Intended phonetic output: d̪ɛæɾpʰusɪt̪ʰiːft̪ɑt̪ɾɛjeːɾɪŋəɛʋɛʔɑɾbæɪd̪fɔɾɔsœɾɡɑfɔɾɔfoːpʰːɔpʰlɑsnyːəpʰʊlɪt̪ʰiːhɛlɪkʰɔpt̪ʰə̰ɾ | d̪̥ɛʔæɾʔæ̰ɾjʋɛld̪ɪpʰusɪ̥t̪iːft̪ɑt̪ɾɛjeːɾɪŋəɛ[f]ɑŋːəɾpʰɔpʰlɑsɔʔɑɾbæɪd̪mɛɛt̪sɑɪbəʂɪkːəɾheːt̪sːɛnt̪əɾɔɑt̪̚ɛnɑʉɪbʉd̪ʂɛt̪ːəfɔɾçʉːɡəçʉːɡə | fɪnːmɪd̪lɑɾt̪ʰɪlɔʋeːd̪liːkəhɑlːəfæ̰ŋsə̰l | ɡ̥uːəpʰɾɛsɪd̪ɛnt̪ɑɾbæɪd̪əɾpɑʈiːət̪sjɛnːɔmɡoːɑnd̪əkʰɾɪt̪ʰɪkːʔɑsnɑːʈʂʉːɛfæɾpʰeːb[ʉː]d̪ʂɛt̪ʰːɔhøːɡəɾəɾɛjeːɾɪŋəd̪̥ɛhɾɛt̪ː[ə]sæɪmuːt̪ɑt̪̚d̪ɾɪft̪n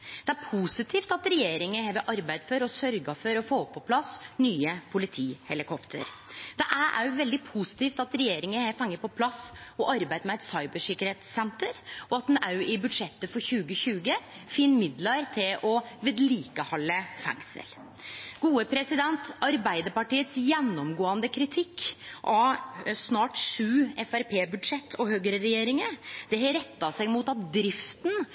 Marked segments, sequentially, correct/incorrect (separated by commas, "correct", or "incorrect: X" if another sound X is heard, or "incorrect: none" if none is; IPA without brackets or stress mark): correct, incorrect: ʉ, incorrect: ɑ